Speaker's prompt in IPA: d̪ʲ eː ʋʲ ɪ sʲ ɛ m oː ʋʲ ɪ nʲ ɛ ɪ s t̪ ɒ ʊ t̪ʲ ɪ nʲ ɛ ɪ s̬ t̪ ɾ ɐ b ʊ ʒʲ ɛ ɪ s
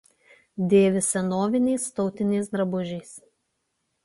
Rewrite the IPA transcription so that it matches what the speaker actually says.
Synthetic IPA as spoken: d̪ʲ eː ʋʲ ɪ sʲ ɛ n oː ʋʲ ɪ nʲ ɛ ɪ s t̪ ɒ ʊ t̪ʲ ɪ nʲ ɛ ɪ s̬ d̪ ɾ ɐ b ʊ ʒʲ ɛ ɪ s